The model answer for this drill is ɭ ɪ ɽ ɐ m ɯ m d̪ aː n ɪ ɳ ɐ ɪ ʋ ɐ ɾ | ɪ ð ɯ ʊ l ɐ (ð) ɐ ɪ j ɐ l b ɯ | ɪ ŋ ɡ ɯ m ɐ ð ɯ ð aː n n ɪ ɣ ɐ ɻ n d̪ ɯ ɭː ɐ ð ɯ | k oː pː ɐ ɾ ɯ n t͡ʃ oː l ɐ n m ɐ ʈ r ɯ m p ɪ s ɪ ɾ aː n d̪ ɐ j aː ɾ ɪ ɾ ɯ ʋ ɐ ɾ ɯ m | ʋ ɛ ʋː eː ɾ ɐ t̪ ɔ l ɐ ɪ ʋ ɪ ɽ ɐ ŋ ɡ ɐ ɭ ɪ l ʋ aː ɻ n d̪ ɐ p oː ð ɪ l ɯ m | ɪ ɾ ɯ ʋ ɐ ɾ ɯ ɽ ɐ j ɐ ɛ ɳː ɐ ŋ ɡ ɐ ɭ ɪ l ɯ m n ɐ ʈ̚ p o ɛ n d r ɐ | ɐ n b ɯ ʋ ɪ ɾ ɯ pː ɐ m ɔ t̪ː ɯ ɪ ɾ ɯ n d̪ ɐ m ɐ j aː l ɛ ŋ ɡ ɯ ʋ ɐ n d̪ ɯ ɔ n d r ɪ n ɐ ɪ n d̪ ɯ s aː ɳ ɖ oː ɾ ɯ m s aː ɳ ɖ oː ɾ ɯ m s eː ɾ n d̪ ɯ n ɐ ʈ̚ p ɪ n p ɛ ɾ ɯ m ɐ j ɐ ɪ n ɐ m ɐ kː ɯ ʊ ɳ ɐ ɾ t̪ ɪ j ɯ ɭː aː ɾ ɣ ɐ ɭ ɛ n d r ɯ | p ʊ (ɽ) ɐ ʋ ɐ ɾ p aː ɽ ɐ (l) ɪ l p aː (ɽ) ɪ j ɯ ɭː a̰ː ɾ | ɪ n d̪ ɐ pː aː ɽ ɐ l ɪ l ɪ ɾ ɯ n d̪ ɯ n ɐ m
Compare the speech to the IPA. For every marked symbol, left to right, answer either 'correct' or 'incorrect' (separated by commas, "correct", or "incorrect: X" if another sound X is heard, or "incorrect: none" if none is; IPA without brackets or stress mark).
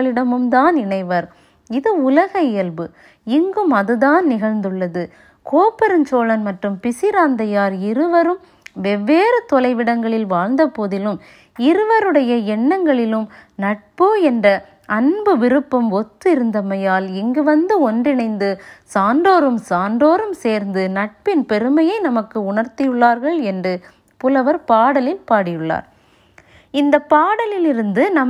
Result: incorrect: ɣ, incorrect: l, correct, correct